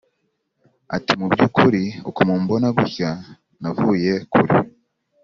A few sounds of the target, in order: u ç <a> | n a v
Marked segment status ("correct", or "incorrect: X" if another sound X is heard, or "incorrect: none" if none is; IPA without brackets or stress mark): correct